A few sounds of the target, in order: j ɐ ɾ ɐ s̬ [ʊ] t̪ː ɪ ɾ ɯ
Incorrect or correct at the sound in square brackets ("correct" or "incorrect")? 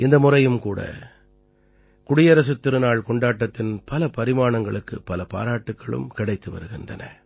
incorrect